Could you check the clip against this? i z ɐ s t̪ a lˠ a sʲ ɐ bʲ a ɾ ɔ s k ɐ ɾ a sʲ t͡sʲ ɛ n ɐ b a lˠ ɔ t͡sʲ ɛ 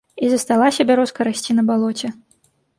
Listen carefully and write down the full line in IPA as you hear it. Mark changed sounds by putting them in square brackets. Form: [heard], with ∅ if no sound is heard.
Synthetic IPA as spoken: i z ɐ s t̪ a lˠ a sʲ ɐ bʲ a ɾ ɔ s k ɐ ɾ a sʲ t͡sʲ [i] n ɐ b a lˠ ɔ t͡sʲ ɛ